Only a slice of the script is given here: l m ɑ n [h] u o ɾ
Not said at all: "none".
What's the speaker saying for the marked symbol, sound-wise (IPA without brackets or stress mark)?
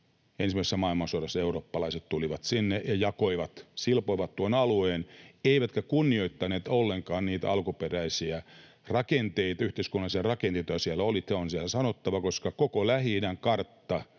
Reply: s